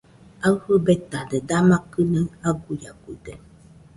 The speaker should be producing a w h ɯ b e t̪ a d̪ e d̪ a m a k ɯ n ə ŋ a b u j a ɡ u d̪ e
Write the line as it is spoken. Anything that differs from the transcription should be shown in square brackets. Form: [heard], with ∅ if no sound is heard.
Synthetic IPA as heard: a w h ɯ b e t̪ a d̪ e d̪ a m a k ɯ n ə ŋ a [ɡ] u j a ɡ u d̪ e